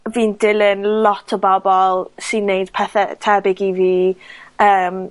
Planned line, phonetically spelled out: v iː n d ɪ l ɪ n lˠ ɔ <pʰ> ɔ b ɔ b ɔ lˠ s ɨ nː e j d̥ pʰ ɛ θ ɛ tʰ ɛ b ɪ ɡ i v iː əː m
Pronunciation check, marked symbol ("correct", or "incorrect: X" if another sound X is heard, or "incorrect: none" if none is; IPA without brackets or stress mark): incorrect: tʰ